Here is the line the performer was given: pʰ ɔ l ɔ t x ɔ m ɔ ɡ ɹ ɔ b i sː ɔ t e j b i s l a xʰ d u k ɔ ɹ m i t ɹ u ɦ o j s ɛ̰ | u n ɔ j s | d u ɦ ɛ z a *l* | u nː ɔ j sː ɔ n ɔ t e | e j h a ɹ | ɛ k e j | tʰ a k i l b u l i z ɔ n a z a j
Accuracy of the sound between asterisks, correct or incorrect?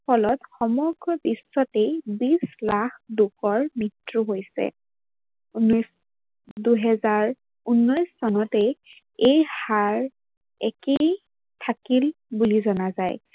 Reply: incorrect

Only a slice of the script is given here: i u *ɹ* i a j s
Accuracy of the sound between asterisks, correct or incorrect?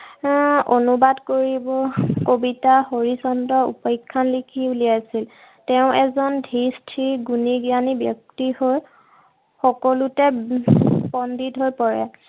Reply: incorrect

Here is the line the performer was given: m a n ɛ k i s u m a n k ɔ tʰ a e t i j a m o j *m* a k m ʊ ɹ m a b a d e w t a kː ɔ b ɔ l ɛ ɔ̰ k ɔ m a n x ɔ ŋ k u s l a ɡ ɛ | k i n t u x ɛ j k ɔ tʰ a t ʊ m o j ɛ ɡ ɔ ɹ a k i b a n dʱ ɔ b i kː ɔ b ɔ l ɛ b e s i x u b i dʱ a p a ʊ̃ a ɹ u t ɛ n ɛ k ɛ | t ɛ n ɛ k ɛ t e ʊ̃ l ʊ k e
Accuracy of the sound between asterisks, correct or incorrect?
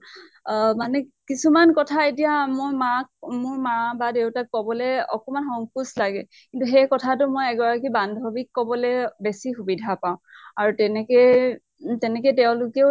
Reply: correct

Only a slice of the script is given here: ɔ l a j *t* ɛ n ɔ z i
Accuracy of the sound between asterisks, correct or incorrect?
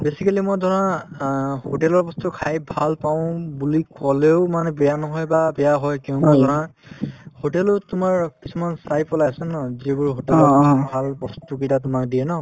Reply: incorrect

